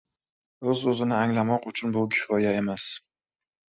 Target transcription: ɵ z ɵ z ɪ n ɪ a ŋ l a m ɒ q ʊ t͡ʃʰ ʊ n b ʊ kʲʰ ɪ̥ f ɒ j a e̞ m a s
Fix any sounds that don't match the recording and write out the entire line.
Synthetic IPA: ɵ z ɵ z ɪ n ɪ a ŋ l a m ɒ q ʊ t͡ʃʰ ʊ n b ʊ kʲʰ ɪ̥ f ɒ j a e̞ m a s